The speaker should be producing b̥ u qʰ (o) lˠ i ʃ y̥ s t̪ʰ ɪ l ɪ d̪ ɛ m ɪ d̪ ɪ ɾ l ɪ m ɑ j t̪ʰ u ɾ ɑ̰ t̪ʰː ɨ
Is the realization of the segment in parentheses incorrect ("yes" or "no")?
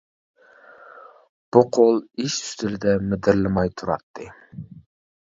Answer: no